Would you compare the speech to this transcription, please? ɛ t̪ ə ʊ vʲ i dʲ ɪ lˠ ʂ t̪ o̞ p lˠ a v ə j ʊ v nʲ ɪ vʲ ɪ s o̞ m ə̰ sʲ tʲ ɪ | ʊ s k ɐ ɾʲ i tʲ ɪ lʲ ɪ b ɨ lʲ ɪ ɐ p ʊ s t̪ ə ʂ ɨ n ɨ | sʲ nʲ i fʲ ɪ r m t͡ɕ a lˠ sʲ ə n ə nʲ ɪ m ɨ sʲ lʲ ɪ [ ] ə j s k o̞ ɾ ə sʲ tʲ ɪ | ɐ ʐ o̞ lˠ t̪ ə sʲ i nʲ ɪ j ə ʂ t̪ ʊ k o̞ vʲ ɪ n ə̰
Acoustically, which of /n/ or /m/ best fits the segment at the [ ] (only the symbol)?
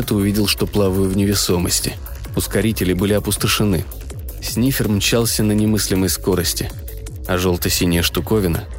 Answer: m